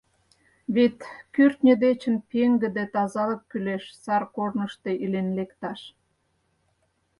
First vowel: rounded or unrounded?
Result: unrounded